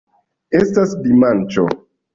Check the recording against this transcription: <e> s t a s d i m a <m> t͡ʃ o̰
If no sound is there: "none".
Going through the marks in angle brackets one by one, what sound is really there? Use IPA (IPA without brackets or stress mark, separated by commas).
e, n